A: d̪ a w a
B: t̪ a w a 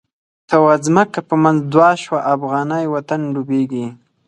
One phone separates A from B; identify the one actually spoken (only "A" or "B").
B